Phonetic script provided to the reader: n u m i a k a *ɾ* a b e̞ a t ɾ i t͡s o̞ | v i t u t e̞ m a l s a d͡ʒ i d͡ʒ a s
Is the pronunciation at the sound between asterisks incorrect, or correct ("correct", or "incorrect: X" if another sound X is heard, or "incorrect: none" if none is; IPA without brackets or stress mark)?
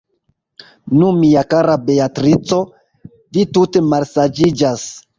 correct